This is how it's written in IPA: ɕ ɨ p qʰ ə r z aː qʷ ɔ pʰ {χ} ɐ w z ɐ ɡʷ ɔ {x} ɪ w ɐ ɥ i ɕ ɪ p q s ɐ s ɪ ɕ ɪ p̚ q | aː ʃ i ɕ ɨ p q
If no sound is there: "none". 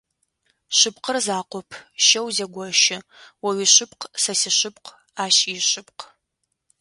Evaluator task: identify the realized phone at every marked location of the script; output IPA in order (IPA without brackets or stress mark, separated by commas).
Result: ʃ, ʃ